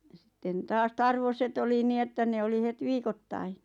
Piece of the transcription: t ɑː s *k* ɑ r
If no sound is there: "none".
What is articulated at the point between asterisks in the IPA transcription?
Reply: t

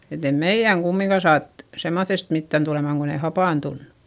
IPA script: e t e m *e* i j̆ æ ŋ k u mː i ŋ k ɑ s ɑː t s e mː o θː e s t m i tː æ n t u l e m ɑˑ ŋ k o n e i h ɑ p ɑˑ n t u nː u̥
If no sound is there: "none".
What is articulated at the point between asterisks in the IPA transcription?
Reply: e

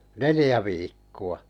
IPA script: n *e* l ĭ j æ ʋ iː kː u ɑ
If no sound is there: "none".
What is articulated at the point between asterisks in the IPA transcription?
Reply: e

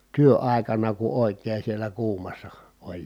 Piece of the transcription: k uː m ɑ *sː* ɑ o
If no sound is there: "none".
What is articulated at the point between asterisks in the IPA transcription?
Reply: sː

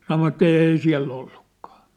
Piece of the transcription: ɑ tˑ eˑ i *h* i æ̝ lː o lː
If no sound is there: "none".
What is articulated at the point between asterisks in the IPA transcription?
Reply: s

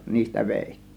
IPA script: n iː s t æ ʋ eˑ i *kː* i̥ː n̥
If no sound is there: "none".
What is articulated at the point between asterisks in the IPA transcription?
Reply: tː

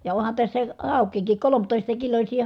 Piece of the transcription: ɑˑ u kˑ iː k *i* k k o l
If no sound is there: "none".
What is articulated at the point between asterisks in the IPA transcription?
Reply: i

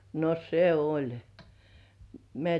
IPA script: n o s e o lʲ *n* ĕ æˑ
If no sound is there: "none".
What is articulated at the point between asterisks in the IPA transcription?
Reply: m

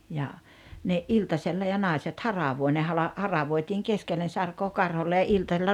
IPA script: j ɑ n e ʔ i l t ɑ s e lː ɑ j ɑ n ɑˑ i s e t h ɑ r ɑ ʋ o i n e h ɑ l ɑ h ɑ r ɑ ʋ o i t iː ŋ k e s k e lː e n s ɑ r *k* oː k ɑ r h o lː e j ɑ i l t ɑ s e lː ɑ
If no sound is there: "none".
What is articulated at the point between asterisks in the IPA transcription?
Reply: k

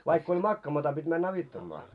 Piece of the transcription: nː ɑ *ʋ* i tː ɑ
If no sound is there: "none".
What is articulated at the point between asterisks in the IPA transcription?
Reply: ʋ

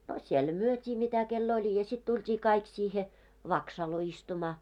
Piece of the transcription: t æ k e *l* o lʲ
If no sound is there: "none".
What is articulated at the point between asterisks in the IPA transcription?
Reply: lː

